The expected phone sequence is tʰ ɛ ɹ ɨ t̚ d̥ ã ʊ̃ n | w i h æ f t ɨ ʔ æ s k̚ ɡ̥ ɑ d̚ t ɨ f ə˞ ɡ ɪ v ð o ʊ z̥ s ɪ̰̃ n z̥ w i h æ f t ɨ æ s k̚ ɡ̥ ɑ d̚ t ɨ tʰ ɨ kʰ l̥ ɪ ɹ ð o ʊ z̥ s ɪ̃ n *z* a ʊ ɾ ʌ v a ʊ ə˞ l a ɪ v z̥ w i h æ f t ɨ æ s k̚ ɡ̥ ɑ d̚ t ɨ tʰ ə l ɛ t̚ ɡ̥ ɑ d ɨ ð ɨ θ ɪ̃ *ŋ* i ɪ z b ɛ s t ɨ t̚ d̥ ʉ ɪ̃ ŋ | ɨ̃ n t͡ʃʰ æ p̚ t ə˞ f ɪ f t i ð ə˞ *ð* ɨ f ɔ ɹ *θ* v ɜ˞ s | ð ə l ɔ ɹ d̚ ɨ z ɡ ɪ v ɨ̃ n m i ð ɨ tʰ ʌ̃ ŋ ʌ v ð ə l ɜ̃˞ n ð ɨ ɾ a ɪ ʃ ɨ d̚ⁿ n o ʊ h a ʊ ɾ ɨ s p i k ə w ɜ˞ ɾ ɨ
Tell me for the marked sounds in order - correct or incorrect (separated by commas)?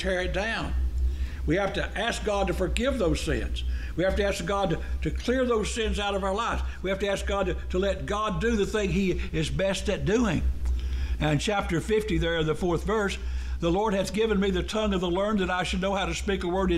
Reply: correct, correct, correct, correct